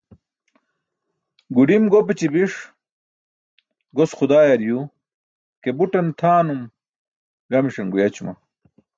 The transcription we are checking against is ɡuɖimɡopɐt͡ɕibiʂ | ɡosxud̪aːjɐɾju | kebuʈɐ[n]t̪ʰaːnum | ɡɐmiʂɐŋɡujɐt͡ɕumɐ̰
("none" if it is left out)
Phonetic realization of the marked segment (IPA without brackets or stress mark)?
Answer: n